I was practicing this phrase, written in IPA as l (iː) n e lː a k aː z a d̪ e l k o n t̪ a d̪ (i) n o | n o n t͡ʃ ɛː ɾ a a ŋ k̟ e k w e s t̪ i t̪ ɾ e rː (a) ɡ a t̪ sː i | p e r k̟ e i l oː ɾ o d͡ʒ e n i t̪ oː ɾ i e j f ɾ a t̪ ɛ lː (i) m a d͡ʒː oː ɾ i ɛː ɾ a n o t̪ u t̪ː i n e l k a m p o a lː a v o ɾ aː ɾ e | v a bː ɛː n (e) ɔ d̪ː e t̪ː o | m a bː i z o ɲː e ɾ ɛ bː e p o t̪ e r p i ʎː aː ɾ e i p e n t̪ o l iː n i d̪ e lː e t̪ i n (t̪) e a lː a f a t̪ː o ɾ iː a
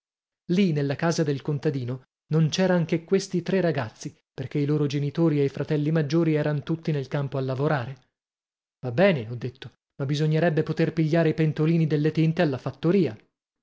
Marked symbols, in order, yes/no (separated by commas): no, no, yes, yes, yes, yes